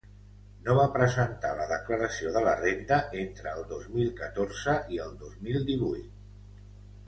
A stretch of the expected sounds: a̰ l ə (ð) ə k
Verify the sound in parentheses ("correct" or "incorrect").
correct